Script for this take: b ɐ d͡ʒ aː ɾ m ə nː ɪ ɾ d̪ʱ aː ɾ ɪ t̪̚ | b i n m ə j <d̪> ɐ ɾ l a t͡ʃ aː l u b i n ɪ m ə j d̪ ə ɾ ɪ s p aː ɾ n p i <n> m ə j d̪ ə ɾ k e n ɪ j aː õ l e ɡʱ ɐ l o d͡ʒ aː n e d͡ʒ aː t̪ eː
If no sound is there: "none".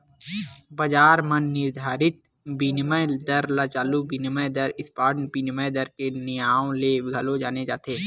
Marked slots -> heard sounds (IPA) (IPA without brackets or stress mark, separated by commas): d̪, n